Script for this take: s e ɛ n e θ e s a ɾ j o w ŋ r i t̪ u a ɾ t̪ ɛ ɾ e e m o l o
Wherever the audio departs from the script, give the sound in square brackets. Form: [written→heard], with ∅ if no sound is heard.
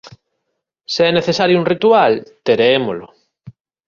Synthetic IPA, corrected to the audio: s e ɛ n e θ e s a ɾ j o [w→u] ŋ r i t̪ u a [ɾ→l] t̪ [ɛ→e] ɾ e e m o l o